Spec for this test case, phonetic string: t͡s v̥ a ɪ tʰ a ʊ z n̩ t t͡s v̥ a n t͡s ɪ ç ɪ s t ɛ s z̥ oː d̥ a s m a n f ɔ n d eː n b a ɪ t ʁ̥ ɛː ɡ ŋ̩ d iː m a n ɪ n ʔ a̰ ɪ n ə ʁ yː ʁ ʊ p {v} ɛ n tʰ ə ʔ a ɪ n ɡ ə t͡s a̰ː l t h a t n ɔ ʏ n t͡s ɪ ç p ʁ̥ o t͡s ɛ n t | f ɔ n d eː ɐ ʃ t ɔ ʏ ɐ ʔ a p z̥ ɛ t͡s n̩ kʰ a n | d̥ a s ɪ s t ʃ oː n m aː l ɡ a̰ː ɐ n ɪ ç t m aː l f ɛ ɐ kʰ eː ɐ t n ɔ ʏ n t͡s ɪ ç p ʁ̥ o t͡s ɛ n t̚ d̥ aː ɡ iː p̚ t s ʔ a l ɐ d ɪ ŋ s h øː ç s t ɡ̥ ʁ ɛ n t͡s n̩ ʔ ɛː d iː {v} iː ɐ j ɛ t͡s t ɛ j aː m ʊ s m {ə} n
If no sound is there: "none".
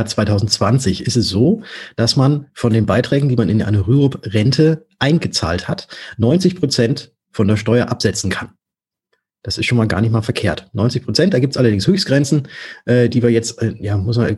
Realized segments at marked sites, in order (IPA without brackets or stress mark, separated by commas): ʁ, v, a